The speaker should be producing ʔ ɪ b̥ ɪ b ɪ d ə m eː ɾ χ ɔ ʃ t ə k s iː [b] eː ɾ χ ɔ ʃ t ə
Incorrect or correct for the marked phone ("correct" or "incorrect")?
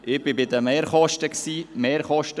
incorrect